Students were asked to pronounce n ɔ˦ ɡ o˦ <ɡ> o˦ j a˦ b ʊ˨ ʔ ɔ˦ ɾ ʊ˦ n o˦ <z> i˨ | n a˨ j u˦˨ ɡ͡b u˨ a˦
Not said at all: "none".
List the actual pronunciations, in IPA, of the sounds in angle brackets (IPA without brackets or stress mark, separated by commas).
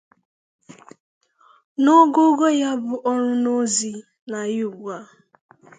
ɡ, z